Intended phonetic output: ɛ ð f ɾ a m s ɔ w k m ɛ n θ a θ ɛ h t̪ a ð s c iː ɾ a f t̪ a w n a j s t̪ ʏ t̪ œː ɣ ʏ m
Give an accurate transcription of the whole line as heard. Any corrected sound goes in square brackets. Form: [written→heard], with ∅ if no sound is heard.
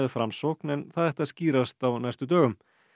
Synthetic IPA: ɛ ð f ɾ a m s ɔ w k [m→n] ɛ n θ a [θ→ð] ɛ h t̪ a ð s c iː ɾ a [f→s] t̪ a w n a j s t̪ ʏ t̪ œː ɣ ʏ m